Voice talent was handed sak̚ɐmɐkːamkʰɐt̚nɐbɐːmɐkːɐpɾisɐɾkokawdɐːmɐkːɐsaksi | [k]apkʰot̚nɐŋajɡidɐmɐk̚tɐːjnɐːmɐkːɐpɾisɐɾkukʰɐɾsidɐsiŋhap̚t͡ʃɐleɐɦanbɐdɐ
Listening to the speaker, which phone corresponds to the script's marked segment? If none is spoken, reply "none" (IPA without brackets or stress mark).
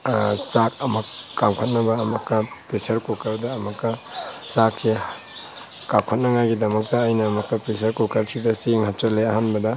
k